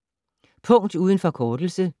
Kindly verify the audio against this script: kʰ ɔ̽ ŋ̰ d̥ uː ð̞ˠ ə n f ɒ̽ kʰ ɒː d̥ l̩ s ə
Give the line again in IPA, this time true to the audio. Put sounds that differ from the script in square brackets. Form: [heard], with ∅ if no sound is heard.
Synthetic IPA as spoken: [pʰ] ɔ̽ ŋ̰ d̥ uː ð̞ˠ ə n f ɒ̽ kʰ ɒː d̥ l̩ s ə